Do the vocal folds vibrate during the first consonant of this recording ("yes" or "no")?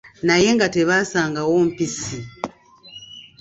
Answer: yes